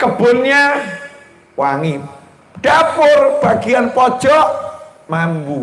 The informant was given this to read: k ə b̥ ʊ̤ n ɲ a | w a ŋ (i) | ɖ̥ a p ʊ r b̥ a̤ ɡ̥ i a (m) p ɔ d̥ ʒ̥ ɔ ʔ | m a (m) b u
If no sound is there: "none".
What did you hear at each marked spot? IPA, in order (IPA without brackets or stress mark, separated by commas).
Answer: i, n, m